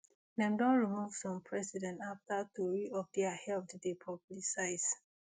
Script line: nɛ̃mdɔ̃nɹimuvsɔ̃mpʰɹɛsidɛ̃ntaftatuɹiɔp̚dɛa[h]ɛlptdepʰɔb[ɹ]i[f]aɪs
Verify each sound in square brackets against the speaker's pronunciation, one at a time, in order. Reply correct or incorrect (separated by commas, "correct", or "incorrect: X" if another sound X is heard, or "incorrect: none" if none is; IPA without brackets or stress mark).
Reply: correct, incorrect: l, incorrect: s